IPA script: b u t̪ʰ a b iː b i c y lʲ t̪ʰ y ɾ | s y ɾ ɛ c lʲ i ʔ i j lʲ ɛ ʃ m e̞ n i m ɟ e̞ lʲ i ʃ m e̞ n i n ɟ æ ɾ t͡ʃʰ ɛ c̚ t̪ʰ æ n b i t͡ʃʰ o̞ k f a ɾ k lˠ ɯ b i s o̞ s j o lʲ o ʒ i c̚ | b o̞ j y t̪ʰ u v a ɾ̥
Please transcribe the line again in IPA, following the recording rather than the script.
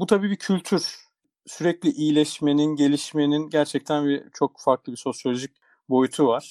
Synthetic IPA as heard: b u t̪ʰ a b iː b i cʰ y lʲ t̪ʰ y ɾ | s y ɾ ɛ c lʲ i ʔ i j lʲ ɛ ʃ m e̞ n i n ɟ e̞ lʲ i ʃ m e̞ n i n ɟ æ ɾ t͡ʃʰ ɛ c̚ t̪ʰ æ n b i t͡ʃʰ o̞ k f a ɾ k lˠ ɯ b i s o̞ s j o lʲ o ʒ i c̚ | b o̞ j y t̪ʰ u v a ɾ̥